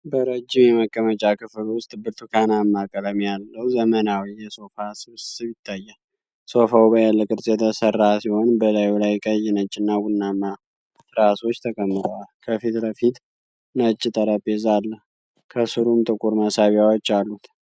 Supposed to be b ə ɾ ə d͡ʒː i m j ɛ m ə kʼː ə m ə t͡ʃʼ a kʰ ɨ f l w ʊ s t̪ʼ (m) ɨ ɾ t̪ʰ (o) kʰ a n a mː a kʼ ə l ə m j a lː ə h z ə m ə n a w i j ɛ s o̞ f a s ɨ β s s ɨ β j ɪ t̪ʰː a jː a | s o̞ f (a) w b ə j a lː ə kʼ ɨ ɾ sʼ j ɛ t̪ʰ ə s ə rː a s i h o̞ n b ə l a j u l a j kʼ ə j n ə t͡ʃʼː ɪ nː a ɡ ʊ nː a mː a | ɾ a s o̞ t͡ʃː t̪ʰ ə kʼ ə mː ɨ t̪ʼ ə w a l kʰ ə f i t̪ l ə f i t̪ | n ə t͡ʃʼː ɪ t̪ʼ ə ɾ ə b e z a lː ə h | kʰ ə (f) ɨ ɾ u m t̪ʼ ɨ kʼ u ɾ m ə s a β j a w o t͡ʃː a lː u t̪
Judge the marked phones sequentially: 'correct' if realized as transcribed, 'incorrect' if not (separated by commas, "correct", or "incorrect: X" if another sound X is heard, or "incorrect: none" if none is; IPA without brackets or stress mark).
incorrect: b, incorrect: u, correct, incorrect: s